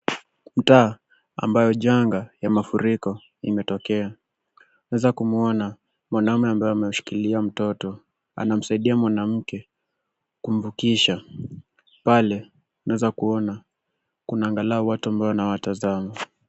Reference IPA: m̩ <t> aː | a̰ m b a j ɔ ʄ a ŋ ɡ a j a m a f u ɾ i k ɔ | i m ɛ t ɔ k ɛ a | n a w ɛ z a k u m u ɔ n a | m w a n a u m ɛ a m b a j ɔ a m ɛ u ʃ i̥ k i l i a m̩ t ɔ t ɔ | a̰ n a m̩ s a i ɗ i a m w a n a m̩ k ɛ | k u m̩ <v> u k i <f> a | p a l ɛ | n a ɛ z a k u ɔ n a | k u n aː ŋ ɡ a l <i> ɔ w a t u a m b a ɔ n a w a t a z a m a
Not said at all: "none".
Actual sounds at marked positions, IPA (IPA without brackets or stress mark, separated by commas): t, v, ʃ, a